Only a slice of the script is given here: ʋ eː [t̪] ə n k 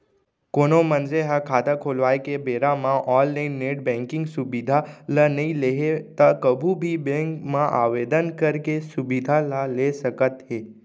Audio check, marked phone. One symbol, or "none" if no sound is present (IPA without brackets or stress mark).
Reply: d̪